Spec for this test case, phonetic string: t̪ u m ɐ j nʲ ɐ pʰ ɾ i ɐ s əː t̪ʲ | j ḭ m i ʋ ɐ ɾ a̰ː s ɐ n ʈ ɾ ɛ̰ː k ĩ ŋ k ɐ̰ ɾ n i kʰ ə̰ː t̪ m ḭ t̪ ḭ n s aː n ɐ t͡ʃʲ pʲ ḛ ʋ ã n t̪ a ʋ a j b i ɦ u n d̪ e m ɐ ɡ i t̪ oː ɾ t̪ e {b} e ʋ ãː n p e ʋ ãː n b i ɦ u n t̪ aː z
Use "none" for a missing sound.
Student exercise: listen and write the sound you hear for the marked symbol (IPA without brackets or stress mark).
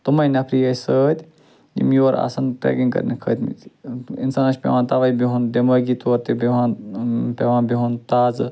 b